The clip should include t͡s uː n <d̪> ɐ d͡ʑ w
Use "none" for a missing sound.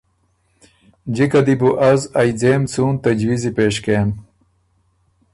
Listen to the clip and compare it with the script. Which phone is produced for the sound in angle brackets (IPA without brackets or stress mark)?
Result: t̪